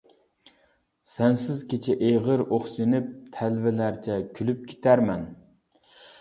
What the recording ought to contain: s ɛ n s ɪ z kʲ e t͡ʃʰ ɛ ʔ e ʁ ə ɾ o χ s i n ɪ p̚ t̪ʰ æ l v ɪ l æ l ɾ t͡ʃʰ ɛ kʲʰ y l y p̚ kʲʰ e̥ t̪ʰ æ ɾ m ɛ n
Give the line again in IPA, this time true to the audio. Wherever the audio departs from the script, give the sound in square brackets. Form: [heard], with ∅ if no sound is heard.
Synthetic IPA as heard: s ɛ n s ɪ z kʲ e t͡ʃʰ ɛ ʔ e ʁ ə ɾ o χ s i n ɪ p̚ t̪ʰ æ l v ɪ l æ [∅] ɾ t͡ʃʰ ɛ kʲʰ y l y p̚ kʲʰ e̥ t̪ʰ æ ɾ m ɛ n